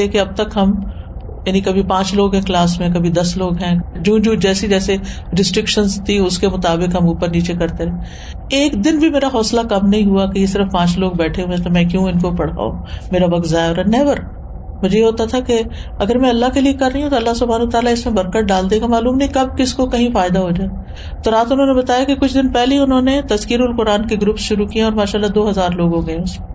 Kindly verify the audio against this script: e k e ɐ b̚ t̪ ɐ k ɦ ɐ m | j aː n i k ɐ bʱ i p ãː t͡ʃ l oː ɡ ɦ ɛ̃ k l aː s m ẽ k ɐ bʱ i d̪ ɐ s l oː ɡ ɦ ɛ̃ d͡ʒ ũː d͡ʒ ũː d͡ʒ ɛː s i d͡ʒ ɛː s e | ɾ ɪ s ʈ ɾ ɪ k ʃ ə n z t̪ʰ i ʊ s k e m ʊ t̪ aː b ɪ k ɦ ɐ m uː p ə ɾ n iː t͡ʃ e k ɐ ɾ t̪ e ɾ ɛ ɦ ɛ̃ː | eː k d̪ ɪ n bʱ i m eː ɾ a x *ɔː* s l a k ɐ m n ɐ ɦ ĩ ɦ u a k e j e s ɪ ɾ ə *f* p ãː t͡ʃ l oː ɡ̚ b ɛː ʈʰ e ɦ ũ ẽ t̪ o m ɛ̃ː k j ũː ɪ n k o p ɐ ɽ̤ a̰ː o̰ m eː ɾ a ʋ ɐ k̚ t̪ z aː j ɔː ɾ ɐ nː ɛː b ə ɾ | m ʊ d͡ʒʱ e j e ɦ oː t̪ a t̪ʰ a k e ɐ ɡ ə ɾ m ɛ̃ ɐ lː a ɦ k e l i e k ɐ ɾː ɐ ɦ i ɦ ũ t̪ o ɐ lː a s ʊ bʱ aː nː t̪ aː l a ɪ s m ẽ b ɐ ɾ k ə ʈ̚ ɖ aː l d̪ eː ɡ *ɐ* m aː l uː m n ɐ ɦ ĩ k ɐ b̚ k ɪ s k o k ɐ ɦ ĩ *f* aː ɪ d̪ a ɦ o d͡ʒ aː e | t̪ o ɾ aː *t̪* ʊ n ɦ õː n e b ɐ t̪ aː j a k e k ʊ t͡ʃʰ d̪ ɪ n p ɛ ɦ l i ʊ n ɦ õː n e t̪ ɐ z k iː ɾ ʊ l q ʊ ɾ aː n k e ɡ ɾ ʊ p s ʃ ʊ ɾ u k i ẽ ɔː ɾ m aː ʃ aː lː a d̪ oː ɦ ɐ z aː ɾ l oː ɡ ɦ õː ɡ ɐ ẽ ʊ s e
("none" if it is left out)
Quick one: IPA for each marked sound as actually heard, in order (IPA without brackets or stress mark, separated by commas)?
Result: ɔː, f, a, f, t̪